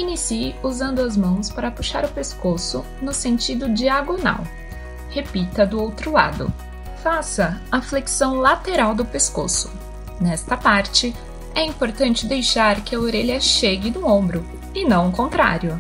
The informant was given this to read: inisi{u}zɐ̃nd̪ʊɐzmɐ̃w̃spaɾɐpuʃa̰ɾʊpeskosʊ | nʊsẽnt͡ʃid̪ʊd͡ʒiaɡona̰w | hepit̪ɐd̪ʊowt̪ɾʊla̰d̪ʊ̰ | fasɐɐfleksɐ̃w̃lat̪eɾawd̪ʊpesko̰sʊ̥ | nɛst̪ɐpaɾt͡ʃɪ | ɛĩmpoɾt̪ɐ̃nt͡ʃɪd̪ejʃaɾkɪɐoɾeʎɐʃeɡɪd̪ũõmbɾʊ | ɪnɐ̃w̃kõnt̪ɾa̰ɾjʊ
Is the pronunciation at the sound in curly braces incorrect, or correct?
correct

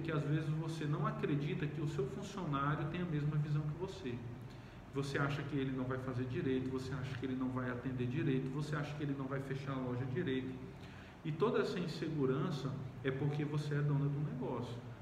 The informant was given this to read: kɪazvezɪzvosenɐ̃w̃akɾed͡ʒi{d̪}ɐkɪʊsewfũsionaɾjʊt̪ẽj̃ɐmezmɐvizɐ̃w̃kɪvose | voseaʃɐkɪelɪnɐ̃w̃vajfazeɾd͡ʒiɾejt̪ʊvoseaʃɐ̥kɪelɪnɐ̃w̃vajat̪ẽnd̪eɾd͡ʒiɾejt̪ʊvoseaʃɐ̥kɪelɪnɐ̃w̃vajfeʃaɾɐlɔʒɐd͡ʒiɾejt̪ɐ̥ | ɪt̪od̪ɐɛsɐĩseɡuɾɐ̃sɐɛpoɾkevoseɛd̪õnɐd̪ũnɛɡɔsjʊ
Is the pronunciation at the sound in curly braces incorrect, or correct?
incorrect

